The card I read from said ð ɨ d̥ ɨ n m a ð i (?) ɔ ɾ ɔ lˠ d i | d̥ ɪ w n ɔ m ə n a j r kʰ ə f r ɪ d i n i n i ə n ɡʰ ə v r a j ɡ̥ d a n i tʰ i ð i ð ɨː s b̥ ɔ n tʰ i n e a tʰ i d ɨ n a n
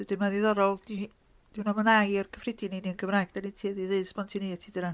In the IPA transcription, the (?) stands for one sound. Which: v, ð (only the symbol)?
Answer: ð